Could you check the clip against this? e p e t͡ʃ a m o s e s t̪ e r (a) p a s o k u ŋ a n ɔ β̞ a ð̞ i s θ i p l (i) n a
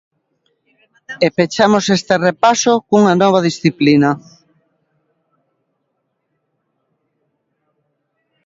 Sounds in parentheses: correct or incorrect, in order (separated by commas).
incorrect, correct